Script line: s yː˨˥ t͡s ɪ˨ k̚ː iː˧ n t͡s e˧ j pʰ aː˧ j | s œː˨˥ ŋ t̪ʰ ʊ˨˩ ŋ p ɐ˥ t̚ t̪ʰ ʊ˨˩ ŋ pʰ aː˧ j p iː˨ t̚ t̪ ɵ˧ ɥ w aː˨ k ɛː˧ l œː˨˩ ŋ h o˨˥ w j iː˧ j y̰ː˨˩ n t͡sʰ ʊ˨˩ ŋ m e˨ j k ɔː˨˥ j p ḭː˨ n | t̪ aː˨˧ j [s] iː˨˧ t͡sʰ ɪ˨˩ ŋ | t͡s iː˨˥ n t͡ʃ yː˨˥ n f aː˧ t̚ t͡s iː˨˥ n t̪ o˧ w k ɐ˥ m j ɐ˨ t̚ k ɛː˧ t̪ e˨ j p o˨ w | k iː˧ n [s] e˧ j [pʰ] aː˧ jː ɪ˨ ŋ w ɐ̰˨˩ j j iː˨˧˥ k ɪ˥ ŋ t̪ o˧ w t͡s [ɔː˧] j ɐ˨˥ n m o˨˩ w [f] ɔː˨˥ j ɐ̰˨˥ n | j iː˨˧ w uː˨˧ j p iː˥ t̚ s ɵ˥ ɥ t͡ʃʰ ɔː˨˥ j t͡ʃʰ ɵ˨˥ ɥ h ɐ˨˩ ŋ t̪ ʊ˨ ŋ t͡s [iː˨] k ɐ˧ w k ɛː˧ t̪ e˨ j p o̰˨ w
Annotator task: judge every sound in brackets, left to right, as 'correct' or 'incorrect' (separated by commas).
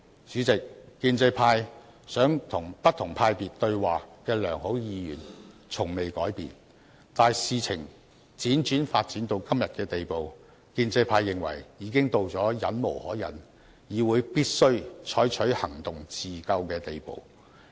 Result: correct, incorrect, correct, incorrect, incorrect, correct